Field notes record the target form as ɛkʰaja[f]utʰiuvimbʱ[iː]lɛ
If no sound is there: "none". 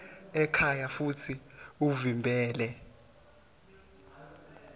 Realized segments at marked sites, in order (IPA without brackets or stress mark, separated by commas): f, ɛː